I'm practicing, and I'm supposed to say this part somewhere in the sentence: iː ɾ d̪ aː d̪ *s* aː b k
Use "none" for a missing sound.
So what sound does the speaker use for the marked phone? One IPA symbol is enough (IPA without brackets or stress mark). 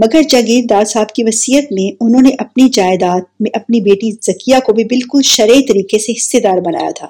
s